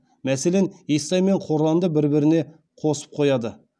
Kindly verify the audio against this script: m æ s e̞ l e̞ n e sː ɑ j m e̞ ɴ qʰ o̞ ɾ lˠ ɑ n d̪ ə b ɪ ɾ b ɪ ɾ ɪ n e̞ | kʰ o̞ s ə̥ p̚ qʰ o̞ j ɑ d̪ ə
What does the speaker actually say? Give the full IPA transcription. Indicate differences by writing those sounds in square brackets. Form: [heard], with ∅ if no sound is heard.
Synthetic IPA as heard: m æ s e̞ l e̞ n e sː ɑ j m e̞ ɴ qʰ o̞ ɾ lˠ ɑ n d̪ ə b ɪ ɾ b ɪ ɾ ɪ n e̞ | [qʰ] o̞ s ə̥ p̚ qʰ o̞ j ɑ d̪ ə